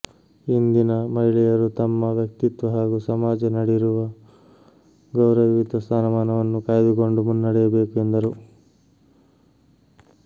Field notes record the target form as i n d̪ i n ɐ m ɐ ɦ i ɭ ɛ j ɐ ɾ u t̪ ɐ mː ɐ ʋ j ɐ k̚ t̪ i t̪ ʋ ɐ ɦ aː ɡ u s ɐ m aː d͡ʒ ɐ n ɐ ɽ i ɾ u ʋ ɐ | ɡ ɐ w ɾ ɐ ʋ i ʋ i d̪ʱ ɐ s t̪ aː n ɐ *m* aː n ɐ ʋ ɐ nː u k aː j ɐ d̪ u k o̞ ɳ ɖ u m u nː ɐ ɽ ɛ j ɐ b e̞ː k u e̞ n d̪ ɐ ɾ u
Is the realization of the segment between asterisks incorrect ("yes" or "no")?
no